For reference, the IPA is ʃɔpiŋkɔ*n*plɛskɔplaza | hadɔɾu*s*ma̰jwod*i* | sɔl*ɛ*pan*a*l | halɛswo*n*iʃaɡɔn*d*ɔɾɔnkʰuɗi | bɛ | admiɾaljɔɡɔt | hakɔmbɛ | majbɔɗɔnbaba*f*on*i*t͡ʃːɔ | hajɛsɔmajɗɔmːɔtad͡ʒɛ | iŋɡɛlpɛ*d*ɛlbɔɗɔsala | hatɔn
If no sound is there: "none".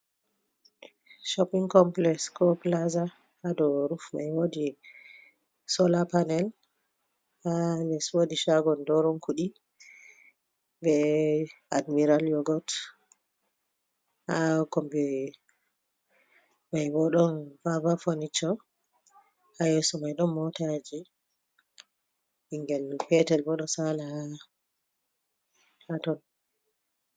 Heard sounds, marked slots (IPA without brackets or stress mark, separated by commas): m, f, i, a, ɛ, d, d, f, i, t